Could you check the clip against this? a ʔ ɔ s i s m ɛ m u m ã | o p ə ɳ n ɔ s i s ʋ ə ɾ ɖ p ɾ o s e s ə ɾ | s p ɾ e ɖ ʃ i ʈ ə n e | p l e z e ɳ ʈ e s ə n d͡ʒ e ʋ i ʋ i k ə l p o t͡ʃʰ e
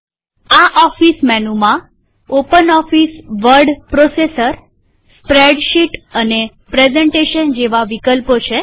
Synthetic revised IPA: a ʔ ɔ f i s m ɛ n u m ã | o p ə n ɔ f i s ʋ ə ɾ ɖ p ɾ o s e s ə ɾ | s p ɾ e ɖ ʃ i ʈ ə n e | p ɾ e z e ɳ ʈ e ʃ ə n d͡ʒ e ʋ a ʋ i k ə l p o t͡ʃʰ e